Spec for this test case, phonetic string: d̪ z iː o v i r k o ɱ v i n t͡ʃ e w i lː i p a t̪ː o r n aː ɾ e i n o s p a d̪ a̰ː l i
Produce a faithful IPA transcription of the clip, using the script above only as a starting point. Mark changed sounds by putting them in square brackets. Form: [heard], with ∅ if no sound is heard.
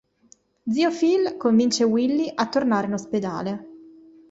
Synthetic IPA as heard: d̪ z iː o [f] i [l] k o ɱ v i n t͡ʃ e w i lː i [ʔ] a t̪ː o r n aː ɾ e i n o s p [e] d̪ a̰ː l [e]

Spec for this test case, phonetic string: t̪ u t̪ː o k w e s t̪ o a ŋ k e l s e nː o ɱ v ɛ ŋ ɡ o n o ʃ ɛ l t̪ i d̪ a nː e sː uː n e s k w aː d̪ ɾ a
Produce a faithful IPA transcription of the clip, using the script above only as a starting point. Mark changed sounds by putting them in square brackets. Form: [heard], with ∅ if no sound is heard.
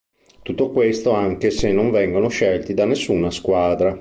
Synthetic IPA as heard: t̪ u t̪ː o k w e s t̪ o a ŋ k e [∅] s e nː o ɱ v ɛ ŋ ɡ o n o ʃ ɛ l t̪ i d̪ a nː e sː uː n [a] s k w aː d̪ ɾ a

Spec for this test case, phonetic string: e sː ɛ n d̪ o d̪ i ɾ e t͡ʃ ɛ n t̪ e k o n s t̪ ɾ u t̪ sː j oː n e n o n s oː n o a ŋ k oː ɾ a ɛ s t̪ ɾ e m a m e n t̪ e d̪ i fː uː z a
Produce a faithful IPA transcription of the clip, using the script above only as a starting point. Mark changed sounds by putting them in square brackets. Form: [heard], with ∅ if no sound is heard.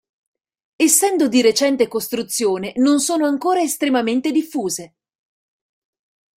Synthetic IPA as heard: e sː ɛ n d̪ o d̪ i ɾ e t͡ʃ ɛ n t̪ e k o [∅] s t̪ ɾ u t̪ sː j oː n e n o n s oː n o a ŋ k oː ɾ a [e] s t̪ ɾ e m a m e n t̪ e d̪ i fː uː z [e]

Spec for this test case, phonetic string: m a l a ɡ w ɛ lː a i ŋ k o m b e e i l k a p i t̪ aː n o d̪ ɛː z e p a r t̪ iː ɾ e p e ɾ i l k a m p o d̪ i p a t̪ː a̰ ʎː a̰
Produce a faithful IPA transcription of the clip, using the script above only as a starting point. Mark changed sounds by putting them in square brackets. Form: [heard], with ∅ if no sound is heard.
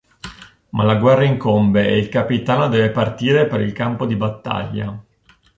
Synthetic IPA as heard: m a l a ɡ w ɛ [rː] a i ŋ k o m b e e i l k a p i t̪ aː n o d̪ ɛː [v] e p a r t̪ iː ɾ e p e ɾ i l k a m p o d̪ i [b] a t̪ː a̰ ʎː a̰

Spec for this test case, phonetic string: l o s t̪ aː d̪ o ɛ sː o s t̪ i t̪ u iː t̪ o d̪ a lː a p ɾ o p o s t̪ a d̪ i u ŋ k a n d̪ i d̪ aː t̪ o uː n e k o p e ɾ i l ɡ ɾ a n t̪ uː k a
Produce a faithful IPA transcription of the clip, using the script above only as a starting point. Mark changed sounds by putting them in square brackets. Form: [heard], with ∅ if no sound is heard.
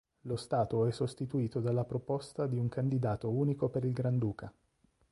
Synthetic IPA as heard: l o s t̪ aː [t̪] o ɛ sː o s t̪ i t̪ u iː t̪ o d̪ a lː a p ɾ o p o s t̪ a d̪ i u ŋ k a n d̪ i d̪ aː t̪ o uː n [i] k o p e ɾ i l ɡ ɾ a n [d̪] uː k a

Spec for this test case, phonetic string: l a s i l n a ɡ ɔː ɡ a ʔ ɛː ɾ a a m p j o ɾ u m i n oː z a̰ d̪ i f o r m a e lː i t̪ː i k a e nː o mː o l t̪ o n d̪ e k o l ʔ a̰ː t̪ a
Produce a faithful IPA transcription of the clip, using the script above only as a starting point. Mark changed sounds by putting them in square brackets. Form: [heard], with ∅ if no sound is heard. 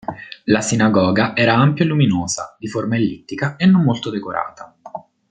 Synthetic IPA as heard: l a s i [∅] n a ɡ ɔː ɡ a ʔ ɛː ɾ a a m p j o [l] u m i n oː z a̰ d̪ i f o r m a e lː i t̪ː i k a e nː o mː o l t̪ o [∅] d̪ e k o [ɾ] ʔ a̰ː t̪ a

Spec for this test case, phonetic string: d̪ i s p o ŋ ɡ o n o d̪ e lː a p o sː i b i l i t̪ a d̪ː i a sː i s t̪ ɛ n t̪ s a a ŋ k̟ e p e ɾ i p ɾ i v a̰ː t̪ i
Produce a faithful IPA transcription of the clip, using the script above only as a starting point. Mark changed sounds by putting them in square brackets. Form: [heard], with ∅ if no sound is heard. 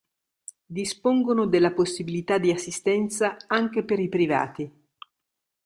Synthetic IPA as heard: d̪ i s p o ŋ ɡ o n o d̪ e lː a p o sː i b i l i t̪ a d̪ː i a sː i s t̪ ɛ n t̪ s a a ŋ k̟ e p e ɾ i p ɾ i v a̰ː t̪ i

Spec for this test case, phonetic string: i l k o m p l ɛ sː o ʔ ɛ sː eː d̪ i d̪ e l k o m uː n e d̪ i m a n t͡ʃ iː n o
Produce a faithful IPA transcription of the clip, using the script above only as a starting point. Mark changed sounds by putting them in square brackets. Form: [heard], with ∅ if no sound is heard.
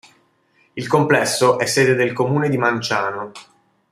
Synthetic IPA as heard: i l k o m p l ɛ sː o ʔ ɛ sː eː d̪ [e] d̪ e l k o m uː n e d̪ i m a n t͡ʃ [aː] n o

